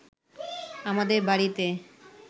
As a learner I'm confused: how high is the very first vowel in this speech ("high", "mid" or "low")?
low